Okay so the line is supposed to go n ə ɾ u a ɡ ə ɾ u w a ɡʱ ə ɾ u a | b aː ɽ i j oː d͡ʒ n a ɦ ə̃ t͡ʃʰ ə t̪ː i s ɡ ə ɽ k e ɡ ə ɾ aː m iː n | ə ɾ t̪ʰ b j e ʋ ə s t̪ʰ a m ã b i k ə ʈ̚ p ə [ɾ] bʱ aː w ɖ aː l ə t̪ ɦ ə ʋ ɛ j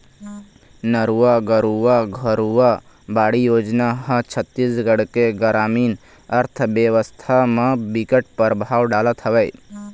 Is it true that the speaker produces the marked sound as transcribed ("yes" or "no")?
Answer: yes